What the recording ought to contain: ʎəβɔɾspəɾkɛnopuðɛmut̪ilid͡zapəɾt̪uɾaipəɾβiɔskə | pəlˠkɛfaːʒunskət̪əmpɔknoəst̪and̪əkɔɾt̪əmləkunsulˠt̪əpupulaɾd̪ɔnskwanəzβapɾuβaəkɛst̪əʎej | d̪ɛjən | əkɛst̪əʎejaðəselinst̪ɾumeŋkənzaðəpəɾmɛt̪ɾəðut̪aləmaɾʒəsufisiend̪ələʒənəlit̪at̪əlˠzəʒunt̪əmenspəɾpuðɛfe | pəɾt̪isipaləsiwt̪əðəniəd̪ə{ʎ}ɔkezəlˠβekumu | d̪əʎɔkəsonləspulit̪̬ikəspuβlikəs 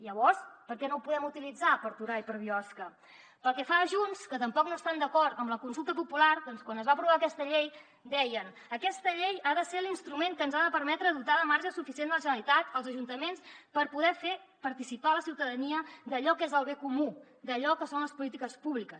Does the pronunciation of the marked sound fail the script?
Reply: no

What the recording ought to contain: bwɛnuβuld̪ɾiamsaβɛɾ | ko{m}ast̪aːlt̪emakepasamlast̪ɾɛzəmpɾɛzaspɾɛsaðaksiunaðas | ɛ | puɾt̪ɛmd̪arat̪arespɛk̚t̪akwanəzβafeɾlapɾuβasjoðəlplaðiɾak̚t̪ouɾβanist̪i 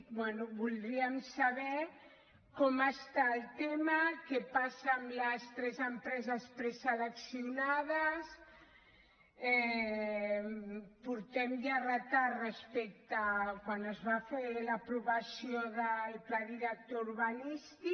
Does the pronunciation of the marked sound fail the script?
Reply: no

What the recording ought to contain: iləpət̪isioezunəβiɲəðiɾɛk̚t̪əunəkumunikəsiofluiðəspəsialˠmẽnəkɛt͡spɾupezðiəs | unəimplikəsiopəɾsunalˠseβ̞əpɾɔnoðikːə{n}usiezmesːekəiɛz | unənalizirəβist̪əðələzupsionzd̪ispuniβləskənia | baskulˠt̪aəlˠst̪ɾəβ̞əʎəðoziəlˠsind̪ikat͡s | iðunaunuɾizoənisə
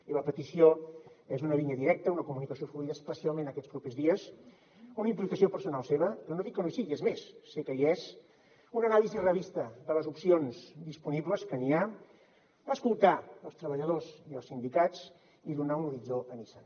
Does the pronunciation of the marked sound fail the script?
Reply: no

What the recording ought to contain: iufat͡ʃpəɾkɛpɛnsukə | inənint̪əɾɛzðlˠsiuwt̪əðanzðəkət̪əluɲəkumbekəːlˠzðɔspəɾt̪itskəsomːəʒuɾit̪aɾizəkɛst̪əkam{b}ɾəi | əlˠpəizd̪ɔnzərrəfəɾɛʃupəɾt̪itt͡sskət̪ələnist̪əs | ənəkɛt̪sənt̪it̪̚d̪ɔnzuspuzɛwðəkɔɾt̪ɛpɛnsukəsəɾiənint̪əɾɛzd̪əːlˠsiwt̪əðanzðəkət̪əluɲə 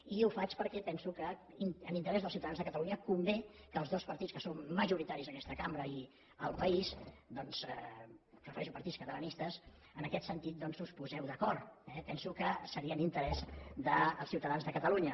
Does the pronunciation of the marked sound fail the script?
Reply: no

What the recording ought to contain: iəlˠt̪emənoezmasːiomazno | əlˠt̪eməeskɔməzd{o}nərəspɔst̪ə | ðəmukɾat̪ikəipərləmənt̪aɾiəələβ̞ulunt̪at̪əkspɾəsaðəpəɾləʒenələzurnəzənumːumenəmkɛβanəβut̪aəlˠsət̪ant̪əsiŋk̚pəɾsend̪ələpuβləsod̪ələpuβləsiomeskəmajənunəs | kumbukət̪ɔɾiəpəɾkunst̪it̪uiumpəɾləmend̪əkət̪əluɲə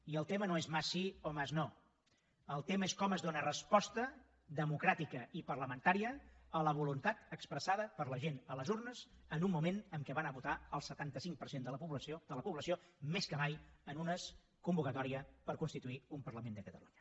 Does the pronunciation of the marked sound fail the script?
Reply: no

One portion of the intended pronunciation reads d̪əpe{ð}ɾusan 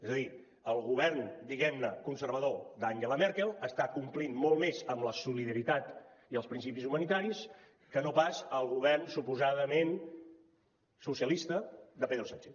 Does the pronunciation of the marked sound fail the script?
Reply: no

